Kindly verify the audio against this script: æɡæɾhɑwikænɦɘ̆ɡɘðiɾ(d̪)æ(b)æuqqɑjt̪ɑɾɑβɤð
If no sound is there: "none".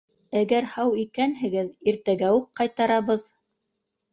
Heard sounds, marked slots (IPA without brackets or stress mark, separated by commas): t̪, ɡ